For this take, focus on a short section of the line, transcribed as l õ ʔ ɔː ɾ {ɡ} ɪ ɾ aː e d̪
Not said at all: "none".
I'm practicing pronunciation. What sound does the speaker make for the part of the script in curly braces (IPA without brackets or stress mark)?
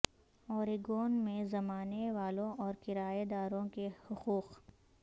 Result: k